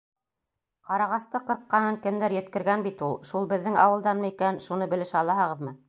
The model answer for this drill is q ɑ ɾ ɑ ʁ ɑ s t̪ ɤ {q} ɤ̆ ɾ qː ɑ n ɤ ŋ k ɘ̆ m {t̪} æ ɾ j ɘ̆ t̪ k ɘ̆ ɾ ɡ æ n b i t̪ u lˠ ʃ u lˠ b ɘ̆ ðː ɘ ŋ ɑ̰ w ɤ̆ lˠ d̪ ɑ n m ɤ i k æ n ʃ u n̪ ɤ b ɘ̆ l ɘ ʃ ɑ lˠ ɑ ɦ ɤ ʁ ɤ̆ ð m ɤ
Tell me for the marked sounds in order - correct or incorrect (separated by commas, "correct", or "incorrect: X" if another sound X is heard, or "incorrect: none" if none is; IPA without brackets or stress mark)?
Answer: correct, incorrect: d̪